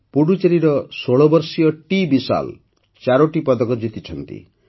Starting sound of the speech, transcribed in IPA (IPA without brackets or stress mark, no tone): p